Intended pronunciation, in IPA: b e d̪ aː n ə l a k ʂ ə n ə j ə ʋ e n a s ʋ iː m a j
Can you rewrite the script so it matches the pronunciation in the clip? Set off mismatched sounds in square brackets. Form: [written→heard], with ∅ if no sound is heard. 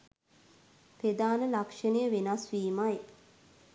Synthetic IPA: [b→p] e d̪ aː n ə l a k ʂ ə n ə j ə ʋ e n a s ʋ iː m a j